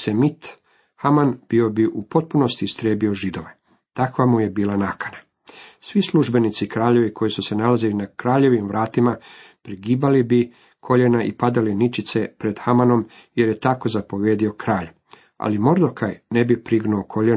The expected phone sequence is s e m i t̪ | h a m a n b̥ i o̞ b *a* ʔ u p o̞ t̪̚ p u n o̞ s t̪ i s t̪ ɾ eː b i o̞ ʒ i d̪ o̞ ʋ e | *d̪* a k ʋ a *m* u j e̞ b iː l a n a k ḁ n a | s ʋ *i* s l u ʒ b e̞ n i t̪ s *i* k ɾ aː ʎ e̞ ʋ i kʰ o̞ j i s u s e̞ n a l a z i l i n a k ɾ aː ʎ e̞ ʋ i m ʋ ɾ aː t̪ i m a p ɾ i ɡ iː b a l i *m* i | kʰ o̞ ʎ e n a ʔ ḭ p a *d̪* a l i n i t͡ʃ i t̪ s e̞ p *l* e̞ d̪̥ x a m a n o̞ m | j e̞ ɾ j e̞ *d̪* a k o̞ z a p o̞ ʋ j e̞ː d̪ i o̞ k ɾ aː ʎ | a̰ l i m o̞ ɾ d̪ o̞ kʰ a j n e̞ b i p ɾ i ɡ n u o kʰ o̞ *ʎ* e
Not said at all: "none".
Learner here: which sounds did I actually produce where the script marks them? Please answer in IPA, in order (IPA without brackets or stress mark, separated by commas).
i, t̪, m, i, i, b, d̪, ɾ, t̪, ʎ